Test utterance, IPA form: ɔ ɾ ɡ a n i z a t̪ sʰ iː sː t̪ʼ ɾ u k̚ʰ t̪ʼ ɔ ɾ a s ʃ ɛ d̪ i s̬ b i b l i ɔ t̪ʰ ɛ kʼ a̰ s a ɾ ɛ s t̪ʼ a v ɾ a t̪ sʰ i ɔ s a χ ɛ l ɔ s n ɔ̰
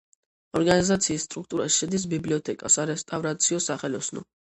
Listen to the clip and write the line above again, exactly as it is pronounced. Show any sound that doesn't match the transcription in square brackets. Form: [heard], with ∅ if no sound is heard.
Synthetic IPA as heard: ɔ ɾ ɡ a n i z a t̪ sʰ iː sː t̪ʼ ɾ u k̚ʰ t̪ʼ [u] ɾ a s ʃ ɛ d̪ i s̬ b i b l i ɔ t̪ʰ ɛ kʼ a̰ s a ɾ ɛ s t̪ʼ a v ɾ a t̪ sʰ i ɔ s a χ ɛ l ɔ s n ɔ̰